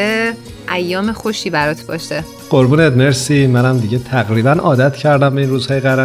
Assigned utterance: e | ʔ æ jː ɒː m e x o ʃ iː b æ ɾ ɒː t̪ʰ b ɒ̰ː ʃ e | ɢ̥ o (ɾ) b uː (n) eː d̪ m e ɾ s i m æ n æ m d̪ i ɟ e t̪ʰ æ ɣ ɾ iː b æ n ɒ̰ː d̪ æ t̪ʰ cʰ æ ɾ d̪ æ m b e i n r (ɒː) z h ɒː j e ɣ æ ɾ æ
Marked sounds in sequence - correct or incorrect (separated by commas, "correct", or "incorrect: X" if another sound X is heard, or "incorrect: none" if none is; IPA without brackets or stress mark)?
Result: correct, correct, incorrect: uː